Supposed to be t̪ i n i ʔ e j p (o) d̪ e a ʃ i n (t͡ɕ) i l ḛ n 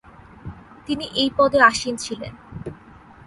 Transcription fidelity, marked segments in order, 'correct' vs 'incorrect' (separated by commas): incorrect, incorrect